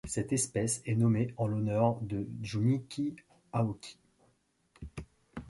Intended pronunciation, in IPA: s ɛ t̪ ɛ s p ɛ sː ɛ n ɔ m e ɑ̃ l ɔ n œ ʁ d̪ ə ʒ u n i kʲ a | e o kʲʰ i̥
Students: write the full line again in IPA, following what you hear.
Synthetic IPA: s ɛ t̪ ɛ s p ɛ s ɛ n ɔ m e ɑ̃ l ɔ n œ ʁ d̪ ə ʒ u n i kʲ i | a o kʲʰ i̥